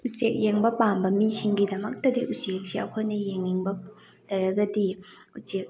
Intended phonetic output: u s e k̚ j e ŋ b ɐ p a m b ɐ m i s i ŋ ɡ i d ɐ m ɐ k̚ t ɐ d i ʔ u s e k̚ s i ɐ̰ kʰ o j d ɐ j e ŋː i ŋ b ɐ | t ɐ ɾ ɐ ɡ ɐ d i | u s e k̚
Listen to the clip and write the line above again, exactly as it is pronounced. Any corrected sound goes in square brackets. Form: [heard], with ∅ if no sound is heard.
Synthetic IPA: u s e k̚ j e ŋ b ɐ p a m b ɐ m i s i ŋ ɡ i d ɐ m ɐ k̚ t ɐ d i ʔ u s e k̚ s i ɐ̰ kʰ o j [n] ɐ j e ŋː i ŋ b ɐ | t ɐ ɾ ɐ ɡ ɐ d i | u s e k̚

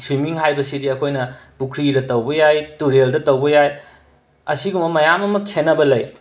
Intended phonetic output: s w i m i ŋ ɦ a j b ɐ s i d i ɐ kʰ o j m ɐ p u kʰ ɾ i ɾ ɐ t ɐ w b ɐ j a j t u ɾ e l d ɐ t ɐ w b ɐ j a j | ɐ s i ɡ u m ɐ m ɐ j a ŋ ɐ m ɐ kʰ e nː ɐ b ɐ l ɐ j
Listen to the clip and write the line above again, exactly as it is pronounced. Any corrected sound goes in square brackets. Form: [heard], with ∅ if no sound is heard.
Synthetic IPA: s w i m i ŋ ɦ a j b ɐ s i d i ɐ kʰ o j [n] ɐ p u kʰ ɾ i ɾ ɐ t ɐ w b ɐ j a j t u ɾ e l d ɐ t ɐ w b ɐ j a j | ɐ s i ɡ u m ɐ m ɐ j a [m] ɐ m ɐ kʰ e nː ɐ b ɐ l ɐ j

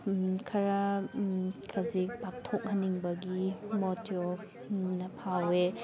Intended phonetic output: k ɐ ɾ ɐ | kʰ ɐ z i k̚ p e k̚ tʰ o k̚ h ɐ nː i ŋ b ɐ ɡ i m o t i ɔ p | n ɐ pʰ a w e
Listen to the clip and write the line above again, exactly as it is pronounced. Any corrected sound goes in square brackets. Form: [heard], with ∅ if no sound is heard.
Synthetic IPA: [kʰ] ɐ ɾ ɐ | kʰ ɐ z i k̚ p [a] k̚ tʰ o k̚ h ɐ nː i ŋ b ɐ ɡ i m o t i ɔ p | n ɐ pʰ a w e

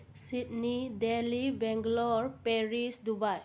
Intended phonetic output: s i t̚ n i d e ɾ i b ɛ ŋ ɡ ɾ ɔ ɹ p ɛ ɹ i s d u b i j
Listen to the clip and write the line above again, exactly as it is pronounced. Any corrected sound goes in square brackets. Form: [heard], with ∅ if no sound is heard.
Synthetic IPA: s i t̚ n i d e [l] i b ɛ ŋ ɡ [l] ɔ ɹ p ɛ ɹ i s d u b [a] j

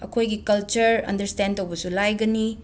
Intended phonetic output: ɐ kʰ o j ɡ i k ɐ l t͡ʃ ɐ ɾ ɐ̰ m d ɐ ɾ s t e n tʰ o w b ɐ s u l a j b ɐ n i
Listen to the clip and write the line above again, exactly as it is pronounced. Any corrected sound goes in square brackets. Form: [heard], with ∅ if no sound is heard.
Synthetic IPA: ɐ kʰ o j ɡ i k ɐ l t͡ʃ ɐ ɾ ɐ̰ [n] d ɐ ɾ s t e n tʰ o w b ɐ s u l a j [ɡ] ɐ n i

